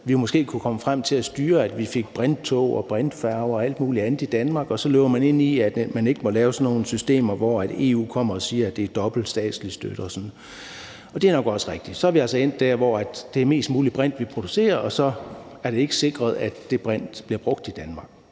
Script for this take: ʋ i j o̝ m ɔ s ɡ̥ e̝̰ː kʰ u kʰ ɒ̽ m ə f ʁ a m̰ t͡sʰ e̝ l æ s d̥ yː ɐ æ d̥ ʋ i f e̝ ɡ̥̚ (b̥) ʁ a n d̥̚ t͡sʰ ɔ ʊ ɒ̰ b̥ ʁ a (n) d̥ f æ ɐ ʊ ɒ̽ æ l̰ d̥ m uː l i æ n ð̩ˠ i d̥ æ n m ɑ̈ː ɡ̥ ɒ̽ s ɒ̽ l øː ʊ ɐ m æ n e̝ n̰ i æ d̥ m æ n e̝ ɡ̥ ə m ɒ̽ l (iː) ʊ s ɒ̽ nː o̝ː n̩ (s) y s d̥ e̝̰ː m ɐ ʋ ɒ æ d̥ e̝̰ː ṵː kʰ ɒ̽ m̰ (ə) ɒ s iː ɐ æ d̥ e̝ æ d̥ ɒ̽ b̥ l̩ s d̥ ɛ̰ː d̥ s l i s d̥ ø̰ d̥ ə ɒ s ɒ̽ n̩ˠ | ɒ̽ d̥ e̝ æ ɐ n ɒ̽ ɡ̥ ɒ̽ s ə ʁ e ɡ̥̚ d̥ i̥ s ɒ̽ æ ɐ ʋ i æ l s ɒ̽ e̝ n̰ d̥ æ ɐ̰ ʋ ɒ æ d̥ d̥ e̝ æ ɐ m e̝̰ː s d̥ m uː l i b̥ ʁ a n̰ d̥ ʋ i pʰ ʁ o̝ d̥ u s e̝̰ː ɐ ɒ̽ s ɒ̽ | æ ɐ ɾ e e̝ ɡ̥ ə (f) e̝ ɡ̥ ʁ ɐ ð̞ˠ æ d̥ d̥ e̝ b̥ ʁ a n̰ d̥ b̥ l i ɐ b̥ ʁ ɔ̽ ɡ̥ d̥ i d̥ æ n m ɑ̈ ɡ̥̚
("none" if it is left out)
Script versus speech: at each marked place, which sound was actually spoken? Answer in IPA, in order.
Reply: b̥, n, ɛː, s, ɐ, s

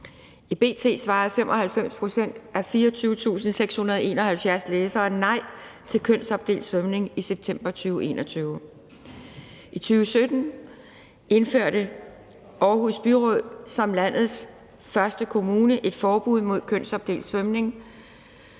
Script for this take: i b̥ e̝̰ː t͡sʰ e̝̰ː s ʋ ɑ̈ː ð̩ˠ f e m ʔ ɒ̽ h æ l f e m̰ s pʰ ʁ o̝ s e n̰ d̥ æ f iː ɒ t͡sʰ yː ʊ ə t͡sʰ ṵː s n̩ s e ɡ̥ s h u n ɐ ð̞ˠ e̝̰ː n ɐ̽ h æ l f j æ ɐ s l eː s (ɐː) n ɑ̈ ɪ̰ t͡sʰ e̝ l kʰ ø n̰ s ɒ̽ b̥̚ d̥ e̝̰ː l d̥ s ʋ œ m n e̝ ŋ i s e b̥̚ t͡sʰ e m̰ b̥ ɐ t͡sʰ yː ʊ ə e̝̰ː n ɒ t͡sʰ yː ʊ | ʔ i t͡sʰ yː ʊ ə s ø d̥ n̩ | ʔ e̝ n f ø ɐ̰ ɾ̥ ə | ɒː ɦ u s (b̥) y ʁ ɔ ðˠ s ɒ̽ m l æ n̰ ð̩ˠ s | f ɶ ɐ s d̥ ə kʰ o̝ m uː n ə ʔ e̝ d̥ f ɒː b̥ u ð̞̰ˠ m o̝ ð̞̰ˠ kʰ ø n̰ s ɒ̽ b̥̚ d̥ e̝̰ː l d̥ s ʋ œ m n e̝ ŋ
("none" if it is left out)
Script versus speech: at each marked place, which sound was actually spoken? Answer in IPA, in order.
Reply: ɐː, b̥

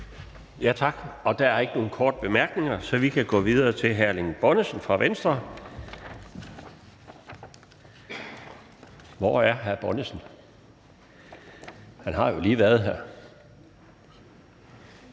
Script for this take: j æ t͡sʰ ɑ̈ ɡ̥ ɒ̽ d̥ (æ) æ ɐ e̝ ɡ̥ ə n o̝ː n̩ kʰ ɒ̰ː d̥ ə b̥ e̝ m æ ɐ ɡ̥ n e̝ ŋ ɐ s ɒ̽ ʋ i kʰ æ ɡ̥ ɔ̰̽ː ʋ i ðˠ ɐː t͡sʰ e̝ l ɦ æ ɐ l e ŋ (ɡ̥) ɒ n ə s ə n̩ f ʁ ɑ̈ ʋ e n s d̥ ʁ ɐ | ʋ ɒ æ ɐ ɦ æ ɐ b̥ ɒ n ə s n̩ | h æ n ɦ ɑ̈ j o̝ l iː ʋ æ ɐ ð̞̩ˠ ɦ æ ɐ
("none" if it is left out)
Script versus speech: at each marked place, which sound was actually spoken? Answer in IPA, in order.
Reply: æ, b̥

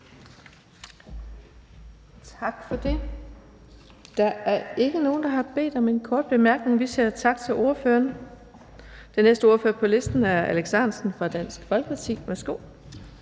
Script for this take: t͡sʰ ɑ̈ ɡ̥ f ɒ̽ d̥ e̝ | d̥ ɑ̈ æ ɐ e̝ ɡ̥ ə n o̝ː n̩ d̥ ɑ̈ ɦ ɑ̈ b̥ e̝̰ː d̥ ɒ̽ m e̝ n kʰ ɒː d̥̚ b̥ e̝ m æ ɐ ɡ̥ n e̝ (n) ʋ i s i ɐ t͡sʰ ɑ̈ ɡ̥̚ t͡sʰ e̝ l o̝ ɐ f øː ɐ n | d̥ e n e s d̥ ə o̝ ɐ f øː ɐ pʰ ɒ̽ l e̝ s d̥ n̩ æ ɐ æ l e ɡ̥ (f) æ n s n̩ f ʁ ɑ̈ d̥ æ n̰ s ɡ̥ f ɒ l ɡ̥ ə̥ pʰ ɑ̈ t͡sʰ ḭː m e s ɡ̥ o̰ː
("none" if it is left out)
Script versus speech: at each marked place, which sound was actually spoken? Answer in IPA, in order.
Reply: ŋ, s

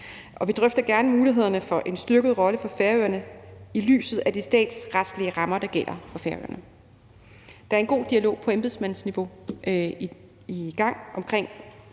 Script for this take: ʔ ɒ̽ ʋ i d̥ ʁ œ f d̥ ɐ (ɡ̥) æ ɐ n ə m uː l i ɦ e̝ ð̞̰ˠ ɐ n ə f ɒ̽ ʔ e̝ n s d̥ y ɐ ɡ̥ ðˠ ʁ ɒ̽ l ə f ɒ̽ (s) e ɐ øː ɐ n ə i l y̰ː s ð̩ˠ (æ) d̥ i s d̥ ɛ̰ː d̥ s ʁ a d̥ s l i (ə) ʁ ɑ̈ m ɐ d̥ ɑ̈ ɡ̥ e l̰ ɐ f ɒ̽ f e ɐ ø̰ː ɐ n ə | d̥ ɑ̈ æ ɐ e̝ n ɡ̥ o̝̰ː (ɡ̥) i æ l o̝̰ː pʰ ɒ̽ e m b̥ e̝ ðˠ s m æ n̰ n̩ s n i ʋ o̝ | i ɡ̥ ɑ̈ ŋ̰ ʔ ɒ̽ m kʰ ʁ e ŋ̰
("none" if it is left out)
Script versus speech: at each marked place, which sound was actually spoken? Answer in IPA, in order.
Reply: ɡ̥, f, æ, ə, d̥

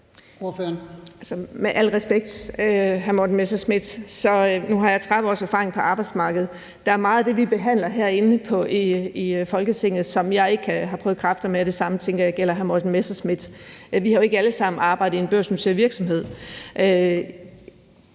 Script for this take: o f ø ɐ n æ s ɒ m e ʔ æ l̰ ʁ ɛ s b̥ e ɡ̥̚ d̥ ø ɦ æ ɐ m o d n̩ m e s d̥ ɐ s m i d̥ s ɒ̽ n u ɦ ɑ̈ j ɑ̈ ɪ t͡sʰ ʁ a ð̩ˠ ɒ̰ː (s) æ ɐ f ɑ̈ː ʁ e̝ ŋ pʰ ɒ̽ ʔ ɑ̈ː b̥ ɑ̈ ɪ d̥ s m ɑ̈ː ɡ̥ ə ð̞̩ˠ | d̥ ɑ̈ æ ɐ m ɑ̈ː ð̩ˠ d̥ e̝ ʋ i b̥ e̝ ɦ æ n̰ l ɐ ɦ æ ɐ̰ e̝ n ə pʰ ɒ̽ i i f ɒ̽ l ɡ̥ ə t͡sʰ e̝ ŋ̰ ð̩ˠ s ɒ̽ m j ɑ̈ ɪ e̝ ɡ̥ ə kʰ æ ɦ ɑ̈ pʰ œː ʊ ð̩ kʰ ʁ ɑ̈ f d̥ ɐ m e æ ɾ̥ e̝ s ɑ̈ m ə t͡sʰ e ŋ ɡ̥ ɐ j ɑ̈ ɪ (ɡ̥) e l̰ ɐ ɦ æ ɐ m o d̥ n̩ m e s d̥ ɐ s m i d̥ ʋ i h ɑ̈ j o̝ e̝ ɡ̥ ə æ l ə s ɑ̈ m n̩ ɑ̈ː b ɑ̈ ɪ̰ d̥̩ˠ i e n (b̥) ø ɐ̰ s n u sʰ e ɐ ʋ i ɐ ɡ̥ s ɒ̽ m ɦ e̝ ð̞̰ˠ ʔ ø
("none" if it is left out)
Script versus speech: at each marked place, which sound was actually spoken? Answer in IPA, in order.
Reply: s, ɡ̥, b̥

